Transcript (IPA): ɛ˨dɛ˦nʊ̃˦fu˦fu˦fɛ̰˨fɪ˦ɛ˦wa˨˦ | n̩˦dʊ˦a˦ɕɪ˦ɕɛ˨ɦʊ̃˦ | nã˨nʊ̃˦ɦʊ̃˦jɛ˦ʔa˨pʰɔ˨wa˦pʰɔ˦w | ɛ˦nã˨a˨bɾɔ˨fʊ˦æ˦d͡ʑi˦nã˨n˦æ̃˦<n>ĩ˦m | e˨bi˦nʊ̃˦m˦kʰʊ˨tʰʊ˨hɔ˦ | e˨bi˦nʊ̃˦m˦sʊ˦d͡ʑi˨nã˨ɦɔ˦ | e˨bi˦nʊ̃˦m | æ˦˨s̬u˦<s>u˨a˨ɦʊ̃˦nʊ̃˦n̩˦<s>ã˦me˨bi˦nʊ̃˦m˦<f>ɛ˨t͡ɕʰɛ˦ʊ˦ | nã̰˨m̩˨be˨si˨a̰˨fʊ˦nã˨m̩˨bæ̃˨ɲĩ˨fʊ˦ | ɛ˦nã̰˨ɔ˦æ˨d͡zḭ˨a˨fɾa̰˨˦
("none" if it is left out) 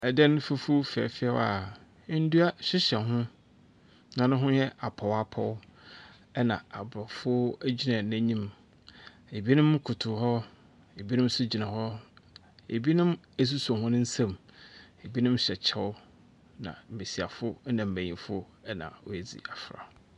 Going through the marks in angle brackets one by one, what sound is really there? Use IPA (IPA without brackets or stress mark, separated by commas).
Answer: ɲ, s, s, ɕ